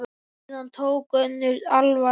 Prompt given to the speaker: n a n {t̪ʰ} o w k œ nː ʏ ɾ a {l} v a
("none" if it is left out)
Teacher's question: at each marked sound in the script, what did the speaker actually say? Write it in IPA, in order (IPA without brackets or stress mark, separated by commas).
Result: t̪ʰ, l